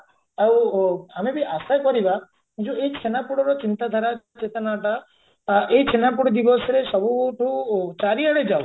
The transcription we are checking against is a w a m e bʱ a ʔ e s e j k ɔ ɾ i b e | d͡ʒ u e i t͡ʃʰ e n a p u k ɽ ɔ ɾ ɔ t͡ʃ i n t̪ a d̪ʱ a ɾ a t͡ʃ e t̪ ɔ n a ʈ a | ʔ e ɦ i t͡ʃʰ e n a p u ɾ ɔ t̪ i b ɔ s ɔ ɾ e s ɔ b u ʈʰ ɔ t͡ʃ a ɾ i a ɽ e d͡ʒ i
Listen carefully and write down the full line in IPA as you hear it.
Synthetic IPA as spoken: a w a m e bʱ i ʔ a s a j k ɔ ɾ i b a | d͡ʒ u e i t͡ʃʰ e n a p u ɽ ɔ ɾ ɔ t͡ʃ i n t̪ a d̪ʱ a ɾ a t͡ʃ e t̪ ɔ n a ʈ a | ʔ e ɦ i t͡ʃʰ e n a p u ɽ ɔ d̪ i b ɔ s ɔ ɾ e s ɔ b u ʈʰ u t͡ʃ a ɾ i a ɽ e d͡ʒ a